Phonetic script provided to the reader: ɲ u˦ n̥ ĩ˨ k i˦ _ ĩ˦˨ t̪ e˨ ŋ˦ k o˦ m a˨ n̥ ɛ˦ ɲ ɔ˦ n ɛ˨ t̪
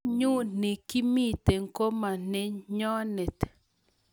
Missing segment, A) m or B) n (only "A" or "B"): A